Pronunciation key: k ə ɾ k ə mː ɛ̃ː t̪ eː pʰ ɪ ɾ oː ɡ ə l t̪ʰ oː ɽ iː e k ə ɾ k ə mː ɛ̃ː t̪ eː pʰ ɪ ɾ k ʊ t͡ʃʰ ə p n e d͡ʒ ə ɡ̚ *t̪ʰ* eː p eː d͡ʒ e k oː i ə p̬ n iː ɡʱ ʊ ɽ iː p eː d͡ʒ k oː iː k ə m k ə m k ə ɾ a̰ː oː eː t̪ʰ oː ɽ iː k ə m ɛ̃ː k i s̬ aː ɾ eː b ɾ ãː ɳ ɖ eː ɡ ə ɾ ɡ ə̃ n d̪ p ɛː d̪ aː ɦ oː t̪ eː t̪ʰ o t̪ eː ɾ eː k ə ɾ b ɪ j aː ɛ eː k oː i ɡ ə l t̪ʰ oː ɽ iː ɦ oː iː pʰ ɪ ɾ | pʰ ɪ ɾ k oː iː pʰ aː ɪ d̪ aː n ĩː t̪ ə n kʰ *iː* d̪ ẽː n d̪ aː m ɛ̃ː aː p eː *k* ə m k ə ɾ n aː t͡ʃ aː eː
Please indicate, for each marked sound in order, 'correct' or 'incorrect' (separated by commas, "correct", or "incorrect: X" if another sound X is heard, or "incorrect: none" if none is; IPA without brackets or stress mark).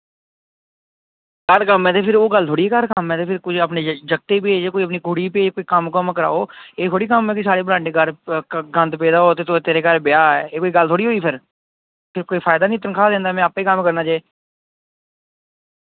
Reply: incorrect: t̪, incorrect: aː, correct